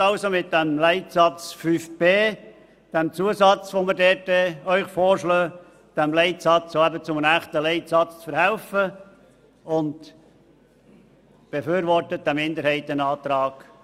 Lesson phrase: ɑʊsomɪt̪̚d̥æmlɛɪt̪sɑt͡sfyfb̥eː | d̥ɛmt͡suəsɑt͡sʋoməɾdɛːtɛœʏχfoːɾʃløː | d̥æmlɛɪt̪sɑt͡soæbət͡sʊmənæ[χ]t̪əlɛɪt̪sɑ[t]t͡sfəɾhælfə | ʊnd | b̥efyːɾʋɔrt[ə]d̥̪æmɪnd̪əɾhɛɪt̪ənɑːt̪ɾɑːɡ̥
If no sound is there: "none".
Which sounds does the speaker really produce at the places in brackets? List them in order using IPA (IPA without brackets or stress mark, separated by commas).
χ, t͡s, ə